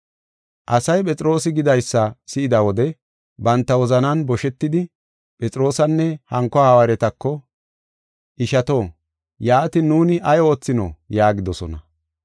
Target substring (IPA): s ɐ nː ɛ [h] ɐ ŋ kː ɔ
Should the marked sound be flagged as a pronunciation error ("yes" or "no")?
no